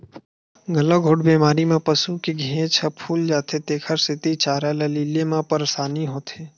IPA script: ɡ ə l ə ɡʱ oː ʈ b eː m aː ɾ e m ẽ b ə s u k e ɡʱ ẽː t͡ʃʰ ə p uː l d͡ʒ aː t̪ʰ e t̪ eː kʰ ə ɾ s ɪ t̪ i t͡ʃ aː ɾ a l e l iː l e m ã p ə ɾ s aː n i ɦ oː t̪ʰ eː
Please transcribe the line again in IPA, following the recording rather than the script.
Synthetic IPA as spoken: ɡ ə l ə ɡʱ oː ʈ b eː m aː ɾ i m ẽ p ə s u k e ɡʱ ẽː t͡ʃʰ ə pʰ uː l d͡ʒ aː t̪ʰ e t̪ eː kʰ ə ɾ s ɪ t̪ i t͡ʃ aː ɾ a l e l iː l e m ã p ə ɾ s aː n i ɦ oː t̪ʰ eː